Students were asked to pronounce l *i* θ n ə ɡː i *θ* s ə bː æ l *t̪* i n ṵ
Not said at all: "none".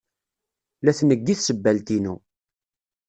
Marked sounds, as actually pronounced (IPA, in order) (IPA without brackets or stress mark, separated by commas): æ, θ, t̪